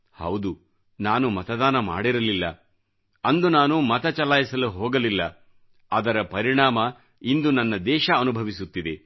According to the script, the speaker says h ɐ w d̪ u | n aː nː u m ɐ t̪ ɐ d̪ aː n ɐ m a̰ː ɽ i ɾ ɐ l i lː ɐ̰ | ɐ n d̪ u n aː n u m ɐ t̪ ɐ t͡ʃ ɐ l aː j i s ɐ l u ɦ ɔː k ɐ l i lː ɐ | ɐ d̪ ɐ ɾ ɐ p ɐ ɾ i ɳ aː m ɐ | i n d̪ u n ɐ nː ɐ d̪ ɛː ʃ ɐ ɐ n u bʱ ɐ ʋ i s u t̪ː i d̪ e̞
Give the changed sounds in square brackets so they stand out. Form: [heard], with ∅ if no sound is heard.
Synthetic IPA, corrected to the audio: h ɐ w d̪ u | n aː [n] u m ɐ t̪ ɐ d̪ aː n ɐ m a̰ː ɽ i ɾ ɐ l i lː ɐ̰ | ɐ n d̪ u n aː n u m ɐ t̪ ɐ t͡ʃ ɐ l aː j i s ɐ l u ɦ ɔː [ɡ] ɐ l i lː ɐ | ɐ d̪ ɐ ɾ ɐ p ɐ ɾ i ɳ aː m ɐ | i n d̪ u n ɐ nː ɐ d̪ ɛː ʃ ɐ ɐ n u bʱ ɐ ʋ i s u t̪ː i d̪ e̞